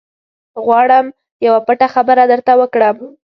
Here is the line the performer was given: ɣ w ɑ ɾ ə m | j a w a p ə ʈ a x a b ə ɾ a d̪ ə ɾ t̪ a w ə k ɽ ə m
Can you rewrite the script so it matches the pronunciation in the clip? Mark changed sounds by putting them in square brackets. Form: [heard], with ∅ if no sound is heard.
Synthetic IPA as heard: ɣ w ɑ [ɽ] ə m | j a w a p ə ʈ a x a b ə ɾ a d̪ ə ɾ t̪ a w ə k ɽ ə m